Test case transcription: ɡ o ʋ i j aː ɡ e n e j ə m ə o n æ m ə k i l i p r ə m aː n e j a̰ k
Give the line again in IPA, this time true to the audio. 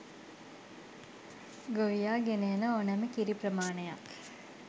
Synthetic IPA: ɡ o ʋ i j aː ɡ e n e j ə n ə o n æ m ə k i ɾ i p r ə m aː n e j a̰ k